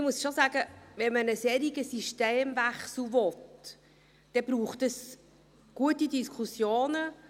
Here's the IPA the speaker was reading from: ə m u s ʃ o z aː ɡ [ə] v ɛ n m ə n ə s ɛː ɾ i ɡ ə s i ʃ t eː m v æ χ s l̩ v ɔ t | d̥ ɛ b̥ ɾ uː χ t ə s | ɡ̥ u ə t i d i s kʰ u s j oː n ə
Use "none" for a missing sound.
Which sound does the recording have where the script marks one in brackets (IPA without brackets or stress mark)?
ə